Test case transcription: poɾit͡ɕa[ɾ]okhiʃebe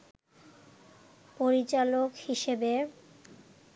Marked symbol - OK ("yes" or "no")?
no